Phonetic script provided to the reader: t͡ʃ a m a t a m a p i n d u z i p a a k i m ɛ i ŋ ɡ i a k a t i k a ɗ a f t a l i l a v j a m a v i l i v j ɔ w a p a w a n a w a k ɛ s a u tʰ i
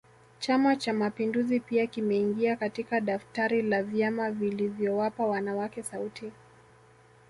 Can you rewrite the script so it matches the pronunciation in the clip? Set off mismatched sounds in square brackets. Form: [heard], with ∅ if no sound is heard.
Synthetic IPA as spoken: t͡ʃ a m a [t͡ʃ] a m a p i n d u z i p [i] a k i m ɛ i ŋ ɡ i a k a t i k a ɗ a f t a [ɾ] i l a v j a m a v i l i v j ɔ w a p a w a n a w a k ɛ s a u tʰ i